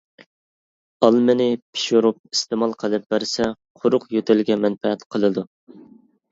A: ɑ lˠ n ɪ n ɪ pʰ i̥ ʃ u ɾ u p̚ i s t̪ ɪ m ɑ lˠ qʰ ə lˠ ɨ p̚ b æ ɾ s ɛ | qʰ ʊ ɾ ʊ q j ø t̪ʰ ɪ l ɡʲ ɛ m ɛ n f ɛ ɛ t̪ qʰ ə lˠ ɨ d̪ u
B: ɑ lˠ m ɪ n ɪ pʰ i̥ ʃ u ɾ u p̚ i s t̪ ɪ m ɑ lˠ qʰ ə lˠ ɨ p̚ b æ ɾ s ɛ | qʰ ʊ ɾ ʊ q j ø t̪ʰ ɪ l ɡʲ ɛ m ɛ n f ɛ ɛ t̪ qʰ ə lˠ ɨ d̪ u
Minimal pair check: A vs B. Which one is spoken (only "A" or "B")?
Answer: B